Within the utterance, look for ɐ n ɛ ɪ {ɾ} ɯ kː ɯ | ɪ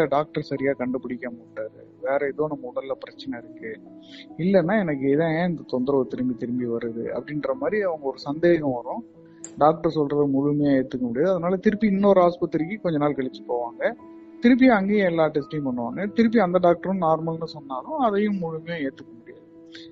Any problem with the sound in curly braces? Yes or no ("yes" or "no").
no